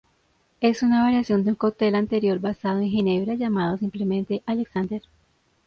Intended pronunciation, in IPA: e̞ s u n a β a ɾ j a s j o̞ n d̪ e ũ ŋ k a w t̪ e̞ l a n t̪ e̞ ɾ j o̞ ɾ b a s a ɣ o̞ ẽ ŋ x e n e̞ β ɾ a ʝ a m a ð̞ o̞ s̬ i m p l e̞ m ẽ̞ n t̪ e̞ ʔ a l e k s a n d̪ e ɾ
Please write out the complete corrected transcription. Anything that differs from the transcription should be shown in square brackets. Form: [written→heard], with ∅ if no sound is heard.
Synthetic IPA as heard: e̞ s u n a β a ɾ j a s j o̞ n d̪ e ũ ŋ k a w t̪ e̞ l a n t̪ e̞ ɾ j o̞ ɾ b a s a [ɣ→ð] o̞ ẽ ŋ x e n e̞ β ɾ a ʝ a m a ð̞ o̞ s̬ i m p l e̞ m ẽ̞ n t̪ e̞ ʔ a l e k s a n d̪ e ɾ